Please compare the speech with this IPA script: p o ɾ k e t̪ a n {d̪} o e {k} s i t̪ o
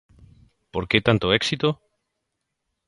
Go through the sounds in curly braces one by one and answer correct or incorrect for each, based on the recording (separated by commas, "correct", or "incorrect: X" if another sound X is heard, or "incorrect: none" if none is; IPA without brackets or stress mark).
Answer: incorrect: t̪, correct